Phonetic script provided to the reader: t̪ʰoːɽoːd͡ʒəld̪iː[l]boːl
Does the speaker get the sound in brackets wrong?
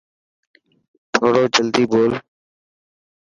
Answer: yes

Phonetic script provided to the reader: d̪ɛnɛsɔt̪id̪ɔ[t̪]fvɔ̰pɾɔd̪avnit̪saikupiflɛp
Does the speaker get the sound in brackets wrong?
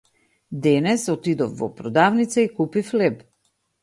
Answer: yes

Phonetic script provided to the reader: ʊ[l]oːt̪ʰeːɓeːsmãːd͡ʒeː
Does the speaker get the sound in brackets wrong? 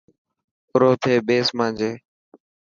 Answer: yes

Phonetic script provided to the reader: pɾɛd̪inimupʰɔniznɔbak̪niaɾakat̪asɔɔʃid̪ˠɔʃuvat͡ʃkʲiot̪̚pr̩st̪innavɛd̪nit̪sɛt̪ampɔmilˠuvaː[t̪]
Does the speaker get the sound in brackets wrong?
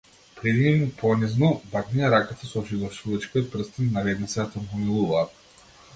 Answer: no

